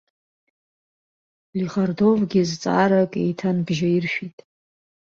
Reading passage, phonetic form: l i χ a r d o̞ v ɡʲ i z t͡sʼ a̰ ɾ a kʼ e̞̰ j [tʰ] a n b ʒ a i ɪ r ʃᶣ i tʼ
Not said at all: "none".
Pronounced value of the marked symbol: tʰ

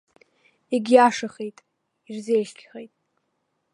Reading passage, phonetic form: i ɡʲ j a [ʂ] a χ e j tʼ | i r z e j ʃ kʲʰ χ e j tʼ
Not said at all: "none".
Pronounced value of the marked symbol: ʂ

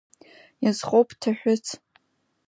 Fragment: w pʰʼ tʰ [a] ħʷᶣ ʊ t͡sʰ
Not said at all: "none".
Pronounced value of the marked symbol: a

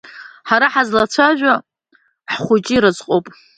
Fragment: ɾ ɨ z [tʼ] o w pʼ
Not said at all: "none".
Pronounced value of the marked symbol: qʼ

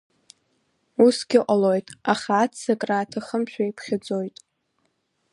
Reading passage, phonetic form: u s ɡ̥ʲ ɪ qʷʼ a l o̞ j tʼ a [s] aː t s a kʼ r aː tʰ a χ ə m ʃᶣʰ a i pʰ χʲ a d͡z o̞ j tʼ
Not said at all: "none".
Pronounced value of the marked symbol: χ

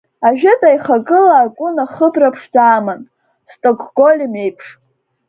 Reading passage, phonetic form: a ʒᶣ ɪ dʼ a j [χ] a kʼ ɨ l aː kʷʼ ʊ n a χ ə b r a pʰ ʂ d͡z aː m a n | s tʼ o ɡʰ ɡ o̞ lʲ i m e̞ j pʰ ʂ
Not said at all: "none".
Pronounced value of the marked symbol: χ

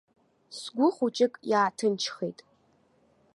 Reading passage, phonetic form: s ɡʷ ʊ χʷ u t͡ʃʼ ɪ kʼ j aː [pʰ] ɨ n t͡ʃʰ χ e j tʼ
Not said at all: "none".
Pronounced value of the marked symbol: tʰ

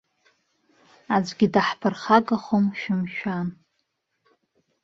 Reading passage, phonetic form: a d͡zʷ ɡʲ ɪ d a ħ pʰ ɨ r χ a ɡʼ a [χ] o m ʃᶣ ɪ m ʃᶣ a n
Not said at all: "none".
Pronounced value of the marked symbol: χ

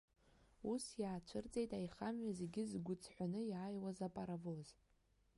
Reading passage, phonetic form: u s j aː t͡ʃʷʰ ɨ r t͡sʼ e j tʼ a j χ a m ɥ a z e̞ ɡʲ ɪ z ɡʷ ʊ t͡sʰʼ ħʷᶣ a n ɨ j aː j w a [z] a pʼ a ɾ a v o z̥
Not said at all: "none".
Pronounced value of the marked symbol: z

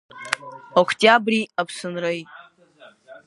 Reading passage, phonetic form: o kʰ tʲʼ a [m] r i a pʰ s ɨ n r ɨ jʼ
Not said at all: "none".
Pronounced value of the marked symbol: b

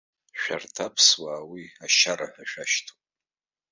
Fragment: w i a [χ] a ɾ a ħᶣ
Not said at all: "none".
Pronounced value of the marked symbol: ʃ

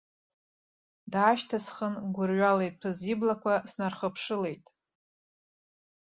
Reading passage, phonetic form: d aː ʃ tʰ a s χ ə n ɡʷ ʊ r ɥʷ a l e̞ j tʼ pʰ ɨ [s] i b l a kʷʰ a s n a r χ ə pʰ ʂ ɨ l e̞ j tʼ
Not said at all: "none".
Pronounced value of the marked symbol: z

